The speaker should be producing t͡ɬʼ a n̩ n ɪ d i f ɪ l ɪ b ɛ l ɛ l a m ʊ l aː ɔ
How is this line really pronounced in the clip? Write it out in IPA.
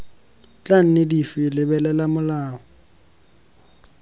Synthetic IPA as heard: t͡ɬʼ a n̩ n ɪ d i f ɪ l ɪ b ɛ l ɛ l a m ʊ l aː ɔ